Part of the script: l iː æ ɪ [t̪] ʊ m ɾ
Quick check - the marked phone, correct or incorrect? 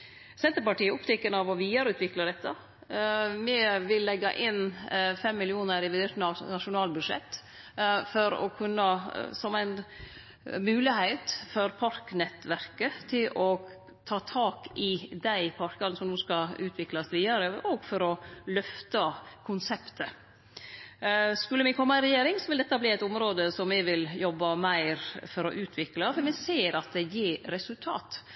correct